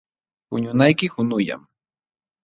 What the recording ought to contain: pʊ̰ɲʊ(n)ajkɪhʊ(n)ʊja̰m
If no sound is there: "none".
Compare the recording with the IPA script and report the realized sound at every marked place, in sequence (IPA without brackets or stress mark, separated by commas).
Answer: n, n